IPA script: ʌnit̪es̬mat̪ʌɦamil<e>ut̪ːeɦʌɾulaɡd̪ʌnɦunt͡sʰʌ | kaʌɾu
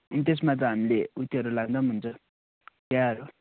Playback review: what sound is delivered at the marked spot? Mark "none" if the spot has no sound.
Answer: e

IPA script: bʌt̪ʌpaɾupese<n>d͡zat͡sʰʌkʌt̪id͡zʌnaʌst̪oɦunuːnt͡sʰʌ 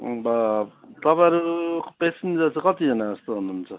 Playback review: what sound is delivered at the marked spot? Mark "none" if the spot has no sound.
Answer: n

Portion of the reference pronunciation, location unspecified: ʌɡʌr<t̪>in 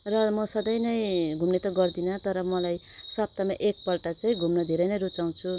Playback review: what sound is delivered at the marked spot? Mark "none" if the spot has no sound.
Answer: d̪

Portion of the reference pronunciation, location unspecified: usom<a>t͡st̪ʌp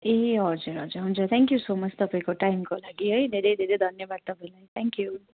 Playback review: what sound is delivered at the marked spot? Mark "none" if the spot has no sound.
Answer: ʌ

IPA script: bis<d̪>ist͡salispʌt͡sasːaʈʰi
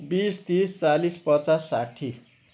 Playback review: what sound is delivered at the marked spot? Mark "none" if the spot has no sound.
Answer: t̪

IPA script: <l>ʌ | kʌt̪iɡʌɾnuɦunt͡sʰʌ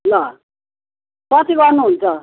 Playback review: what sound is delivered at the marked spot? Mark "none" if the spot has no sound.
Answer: l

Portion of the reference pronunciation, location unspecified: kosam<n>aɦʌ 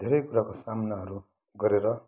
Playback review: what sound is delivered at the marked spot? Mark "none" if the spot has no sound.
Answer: n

